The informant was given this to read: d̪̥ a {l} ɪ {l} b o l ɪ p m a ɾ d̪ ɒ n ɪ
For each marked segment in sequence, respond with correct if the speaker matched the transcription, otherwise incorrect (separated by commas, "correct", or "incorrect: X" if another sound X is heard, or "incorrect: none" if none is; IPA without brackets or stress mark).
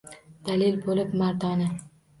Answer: correct, correct